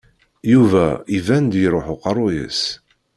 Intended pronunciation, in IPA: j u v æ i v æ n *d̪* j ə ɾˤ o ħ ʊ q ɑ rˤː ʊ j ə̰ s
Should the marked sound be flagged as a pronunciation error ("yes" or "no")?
no